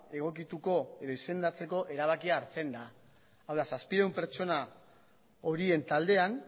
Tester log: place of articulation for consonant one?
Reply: velar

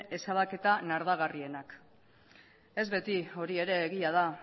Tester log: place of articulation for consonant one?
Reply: alveolar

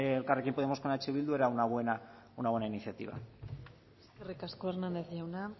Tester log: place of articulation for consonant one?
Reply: alveolar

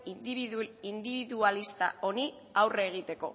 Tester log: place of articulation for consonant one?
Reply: alveolar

